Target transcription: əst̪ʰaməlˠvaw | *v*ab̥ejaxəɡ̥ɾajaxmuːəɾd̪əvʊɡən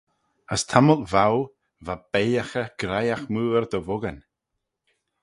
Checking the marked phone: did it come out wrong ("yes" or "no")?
no